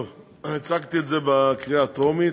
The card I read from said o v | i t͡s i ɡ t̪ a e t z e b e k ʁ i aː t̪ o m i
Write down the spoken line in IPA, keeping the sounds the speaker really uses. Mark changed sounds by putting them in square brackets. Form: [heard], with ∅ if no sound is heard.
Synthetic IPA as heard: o v | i t͡s [a] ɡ t̪ [i] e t z e b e k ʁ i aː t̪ o m i